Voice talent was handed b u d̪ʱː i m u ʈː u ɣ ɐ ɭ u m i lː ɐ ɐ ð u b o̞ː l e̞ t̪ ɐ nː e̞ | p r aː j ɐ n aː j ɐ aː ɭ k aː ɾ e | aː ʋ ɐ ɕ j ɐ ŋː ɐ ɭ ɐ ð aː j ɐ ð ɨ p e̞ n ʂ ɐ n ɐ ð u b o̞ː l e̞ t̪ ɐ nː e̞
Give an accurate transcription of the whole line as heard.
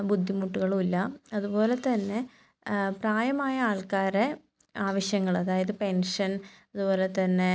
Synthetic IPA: b u d̪ʱː i m u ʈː u ɣ ɐ ɭ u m i lː ɐ ɐ ð u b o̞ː l e̞ t̪ ɐ nː e̞ | p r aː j ɐ m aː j ɐ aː ɭ k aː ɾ e | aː ʋ ɐ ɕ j ɐ ŋː ɐ ɭ ɐ ð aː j ɐ ð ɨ p e̞ n ʂ ɐ n ɐ ð u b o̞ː l e̞ t̪ ɐ nː e̞